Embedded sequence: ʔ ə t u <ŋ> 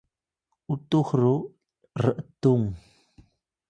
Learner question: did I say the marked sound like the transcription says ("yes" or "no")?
yes